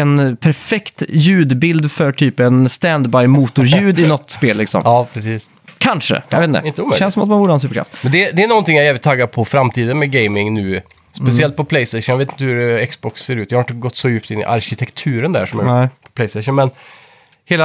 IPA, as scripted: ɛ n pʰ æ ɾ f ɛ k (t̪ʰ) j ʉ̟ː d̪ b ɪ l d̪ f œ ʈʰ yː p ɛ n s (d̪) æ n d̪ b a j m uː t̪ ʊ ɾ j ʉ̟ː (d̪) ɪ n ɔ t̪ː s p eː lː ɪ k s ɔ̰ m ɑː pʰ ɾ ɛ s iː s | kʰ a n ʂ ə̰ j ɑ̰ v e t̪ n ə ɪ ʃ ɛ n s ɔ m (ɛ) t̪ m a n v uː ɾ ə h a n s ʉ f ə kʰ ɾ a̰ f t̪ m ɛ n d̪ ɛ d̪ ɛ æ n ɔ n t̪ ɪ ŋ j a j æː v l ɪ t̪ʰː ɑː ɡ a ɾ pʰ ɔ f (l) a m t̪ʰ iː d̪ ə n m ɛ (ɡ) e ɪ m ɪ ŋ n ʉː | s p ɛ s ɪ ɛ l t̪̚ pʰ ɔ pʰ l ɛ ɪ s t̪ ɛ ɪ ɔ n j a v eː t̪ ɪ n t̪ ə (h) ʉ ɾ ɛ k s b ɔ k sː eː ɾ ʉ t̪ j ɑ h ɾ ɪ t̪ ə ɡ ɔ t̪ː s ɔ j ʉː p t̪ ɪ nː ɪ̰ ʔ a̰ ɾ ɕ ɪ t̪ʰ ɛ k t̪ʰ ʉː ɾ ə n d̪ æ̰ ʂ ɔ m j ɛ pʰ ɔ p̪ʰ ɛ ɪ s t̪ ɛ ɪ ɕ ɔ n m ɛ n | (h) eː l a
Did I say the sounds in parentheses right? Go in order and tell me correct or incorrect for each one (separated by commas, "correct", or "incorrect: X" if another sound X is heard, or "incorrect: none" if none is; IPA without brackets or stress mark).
incorrect: t̪, incorrect: t̪, correct, incorrect: a, incorrect: ɾ, correct, correct, correct